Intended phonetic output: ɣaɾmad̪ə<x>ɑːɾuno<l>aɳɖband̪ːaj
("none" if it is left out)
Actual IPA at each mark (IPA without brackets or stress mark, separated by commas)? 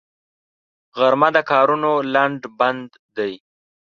k, l